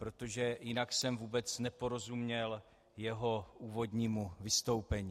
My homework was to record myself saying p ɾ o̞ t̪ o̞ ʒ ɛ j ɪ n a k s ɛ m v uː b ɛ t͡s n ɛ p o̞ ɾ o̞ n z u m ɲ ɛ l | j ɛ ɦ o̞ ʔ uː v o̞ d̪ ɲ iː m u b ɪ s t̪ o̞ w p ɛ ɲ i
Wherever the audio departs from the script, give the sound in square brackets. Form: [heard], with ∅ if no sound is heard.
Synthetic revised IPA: p ɾ o̞ t̪ o̞ ʒ ɛ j ɪ n a k s ɛ m v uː b ɛ t͡s n ɛ p o̞ ɾ o̞ [∅] z u m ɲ ɛ l | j ɛ ɦ o̞ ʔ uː v o̞ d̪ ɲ iː m u [v] ɪ s t̪ o̞ w p ɛ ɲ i